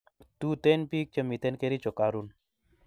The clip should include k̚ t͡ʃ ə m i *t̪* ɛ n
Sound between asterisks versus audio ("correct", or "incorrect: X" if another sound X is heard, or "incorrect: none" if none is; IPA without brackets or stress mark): correct